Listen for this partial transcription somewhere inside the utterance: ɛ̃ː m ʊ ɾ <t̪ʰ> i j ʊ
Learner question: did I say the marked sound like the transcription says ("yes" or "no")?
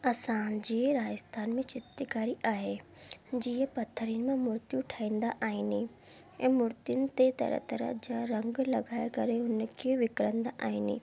no